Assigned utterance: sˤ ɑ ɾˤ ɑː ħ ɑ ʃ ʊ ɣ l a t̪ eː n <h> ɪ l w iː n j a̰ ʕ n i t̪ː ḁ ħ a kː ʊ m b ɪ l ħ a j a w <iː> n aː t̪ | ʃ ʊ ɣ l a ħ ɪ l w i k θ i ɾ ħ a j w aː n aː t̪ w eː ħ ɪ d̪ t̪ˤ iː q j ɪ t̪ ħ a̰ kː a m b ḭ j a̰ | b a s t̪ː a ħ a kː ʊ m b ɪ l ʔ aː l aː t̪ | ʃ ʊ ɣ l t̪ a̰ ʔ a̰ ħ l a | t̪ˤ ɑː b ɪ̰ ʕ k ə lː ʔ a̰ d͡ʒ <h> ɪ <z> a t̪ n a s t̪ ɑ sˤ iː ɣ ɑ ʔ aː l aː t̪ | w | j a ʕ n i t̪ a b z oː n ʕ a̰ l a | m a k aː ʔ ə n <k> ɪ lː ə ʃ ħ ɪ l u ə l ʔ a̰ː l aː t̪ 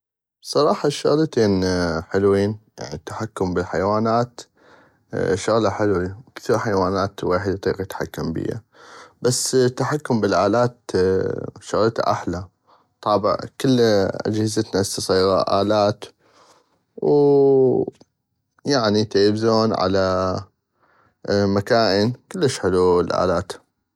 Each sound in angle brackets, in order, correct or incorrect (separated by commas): incorrect, incorrect, correct, correct, correct